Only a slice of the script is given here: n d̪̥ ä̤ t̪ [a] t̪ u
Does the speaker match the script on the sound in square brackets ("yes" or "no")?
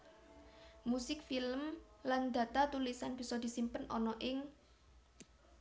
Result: yes